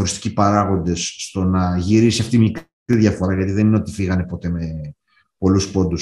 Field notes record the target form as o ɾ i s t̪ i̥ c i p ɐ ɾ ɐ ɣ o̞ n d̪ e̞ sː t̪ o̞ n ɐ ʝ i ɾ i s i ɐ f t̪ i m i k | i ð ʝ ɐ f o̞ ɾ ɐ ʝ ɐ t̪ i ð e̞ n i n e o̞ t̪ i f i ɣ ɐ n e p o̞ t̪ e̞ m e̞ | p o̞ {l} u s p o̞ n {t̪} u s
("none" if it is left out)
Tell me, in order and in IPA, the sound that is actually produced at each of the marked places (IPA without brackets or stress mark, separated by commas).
l, d̪